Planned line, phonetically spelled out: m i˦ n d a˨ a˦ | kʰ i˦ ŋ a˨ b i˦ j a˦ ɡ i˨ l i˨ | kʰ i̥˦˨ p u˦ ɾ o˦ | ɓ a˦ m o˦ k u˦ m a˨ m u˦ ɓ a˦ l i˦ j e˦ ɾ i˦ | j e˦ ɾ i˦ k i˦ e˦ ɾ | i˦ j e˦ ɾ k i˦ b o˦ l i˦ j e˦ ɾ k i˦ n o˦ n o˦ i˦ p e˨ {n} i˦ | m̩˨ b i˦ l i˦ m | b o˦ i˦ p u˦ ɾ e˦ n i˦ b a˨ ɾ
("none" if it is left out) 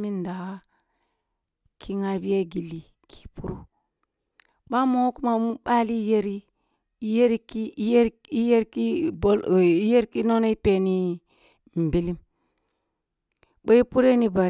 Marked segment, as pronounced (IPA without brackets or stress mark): n